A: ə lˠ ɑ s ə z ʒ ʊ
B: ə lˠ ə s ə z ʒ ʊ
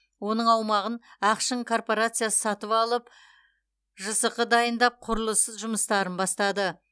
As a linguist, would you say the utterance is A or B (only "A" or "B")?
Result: B